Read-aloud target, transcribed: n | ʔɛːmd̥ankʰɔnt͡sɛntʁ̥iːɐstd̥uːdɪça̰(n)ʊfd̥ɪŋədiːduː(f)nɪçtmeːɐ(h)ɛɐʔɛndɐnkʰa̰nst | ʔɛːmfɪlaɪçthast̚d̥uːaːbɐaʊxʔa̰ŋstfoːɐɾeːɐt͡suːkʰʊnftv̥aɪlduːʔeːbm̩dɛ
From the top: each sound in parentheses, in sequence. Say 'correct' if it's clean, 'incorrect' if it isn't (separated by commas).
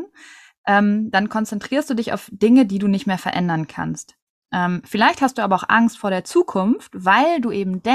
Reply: incorrect, incorrect, incorrect